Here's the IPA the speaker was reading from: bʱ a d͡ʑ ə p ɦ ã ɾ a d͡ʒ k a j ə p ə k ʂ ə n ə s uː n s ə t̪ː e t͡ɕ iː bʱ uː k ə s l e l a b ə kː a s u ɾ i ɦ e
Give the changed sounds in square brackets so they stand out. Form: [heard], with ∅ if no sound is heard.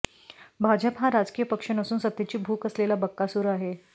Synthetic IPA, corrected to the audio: bʱ a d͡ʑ ə p ɦ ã ɾ a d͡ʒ k [i] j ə p ə k ʂ ə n ə s uː n s ə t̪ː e t͡ɕ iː bʱ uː k ə s l e l a b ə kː a s u ɾ [a] ɦ e